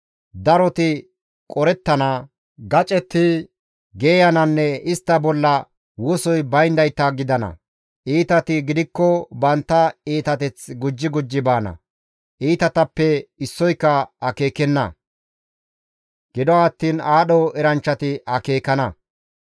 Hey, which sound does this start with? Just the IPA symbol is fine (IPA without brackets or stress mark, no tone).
d̪